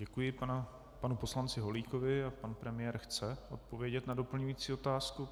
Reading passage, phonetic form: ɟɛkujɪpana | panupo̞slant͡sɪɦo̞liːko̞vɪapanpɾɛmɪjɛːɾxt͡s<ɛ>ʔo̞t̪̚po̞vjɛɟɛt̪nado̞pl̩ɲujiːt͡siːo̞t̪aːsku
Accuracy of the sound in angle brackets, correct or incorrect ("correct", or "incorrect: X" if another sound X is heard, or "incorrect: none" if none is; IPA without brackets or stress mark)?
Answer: correct